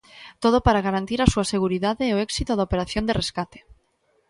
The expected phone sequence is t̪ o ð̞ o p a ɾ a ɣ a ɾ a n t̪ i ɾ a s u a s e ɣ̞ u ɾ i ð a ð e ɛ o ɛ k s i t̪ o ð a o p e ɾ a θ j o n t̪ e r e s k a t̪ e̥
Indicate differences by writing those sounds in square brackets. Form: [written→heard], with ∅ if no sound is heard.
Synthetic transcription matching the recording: t̪ o ð̞ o p a ɾ a ɣ a ɾ a n t̪ i ɾ a s u a s e ɣ̞ u ɾ i ð a ð e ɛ o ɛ k s i t̪ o ð a o p e ɾ a θ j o n [t̪→d̪] e r e s k a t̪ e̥